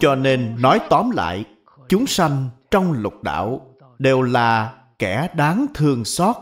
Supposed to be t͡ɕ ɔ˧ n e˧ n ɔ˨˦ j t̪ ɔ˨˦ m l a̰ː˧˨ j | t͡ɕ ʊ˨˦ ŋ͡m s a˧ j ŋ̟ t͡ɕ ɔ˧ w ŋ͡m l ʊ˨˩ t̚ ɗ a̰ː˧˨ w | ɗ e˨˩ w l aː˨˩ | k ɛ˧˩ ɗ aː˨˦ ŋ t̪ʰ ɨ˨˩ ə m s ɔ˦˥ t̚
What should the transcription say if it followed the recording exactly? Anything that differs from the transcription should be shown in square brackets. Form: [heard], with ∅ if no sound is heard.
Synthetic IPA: t͡ɕ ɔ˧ n e˧ [nː] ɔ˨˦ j t̪ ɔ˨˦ m l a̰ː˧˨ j | t͡ɕ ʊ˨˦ ŋ͡m s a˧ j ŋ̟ t͡ɕ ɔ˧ w ŋ͡m l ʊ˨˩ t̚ ɗ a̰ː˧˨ w | ɗ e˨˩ w l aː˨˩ | k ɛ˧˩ ɗ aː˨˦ ŋ t̪ʰ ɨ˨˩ ə [ŋ] s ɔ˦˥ t̚

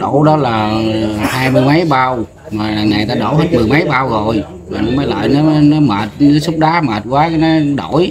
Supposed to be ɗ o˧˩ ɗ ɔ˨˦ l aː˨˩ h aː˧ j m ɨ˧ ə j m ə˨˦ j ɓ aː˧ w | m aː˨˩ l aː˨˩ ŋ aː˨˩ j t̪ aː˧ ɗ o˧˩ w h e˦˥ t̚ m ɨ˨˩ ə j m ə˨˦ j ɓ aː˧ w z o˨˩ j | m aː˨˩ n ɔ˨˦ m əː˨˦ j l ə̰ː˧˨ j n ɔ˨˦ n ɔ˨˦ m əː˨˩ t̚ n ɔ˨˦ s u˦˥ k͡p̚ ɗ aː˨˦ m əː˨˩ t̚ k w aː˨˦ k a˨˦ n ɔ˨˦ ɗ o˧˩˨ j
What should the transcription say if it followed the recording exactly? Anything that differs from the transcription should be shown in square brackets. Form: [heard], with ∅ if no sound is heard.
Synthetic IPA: ɗ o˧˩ ɗ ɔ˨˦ l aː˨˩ h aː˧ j m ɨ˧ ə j m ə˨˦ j ɓ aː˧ w | m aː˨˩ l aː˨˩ ŋ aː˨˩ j t̪ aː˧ ɗ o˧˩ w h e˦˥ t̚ m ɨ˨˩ ə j m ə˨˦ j ɓ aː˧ w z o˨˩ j | m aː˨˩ n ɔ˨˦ m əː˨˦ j l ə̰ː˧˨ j n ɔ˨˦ n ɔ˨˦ m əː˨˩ t̚ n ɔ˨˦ s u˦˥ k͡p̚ ɗ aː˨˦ m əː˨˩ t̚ k w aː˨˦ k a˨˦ n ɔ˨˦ ɗ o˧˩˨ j

